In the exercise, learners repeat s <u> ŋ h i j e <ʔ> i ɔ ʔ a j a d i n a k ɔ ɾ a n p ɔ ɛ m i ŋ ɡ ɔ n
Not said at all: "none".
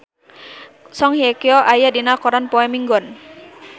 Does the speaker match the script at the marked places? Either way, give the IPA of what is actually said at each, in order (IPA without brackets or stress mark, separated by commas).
ɔ, k